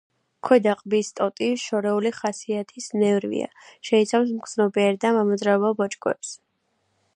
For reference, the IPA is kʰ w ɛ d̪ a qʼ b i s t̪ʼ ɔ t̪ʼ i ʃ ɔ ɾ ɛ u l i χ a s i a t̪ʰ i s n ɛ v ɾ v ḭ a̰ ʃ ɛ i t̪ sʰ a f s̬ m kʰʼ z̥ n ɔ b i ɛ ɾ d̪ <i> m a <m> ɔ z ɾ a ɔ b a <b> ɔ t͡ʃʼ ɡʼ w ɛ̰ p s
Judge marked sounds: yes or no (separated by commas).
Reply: no, yes, yes